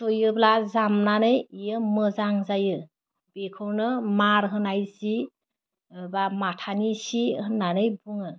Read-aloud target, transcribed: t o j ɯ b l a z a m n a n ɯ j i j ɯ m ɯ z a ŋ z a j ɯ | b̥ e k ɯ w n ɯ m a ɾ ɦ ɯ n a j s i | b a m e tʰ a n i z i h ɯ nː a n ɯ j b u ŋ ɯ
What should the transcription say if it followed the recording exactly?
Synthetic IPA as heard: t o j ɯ b l a z a m n a n ɯ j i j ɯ m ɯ z a ŋ z a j ɯ | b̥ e kʰ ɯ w n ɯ m a ɾ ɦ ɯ n a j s i | b a m a tʰ a n i s i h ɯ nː a n ɯ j b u ŋ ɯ